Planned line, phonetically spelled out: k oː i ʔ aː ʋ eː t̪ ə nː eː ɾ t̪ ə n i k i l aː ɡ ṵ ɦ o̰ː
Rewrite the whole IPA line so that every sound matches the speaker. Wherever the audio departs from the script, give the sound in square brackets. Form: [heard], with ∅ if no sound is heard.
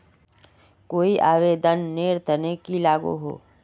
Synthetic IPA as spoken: k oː i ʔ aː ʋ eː [d̪] ə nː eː ɾ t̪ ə n [e] k i l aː ɡ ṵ ɦ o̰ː